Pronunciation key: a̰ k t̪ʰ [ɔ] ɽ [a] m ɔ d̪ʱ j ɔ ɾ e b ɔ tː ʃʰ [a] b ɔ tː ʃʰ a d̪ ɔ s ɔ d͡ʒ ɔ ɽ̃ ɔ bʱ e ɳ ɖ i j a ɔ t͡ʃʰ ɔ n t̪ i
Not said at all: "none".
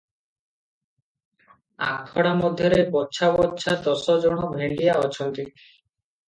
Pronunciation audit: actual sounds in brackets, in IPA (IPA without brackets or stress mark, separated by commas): ɔ, a, a